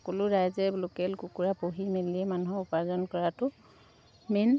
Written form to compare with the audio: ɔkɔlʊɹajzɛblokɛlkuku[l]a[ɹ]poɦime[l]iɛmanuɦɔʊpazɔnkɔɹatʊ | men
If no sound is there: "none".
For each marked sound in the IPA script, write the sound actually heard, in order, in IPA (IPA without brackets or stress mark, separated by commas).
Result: ɹ, none, l